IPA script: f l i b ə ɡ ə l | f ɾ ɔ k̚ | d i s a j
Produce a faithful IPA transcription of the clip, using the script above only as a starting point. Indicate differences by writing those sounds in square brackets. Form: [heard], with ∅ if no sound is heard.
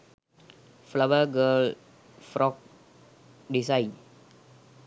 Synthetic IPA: f l [a] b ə ɡ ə l | f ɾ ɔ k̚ | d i s a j